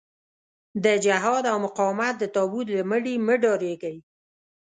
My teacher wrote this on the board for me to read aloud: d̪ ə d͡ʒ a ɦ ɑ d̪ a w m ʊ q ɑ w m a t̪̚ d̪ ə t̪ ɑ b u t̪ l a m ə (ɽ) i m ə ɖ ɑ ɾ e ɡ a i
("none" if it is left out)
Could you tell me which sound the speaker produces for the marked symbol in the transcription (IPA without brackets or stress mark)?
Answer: ɽ